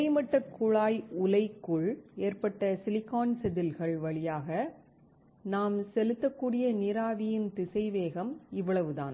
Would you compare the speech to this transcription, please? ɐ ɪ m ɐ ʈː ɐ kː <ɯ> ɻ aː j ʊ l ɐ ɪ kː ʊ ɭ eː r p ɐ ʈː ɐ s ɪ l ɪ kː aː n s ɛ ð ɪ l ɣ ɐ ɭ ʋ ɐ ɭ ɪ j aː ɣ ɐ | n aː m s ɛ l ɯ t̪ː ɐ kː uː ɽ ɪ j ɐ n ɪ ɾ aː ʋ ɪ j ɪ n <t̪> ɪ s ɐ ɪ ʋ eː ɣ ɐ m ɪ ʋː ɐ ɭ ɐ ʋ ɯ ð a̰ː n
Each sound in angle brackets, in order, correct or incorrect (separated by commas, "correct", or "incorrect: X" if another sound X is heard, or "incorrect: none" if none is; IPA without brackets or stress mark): incorrect: ʊ, correct